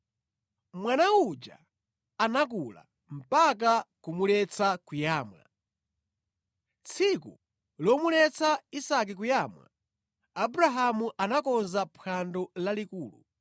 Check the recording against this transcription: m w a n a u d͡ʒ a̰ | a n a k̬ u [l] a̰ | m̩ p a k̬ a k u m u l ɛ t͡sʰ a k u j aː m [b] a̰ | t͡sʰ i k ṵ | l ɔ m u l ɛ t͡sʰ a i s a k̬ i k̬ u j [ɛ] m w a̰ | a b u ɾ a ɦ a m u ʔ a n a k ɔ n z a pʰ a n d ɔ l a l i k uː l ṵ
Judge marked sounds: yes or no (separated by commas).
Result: yes, no, no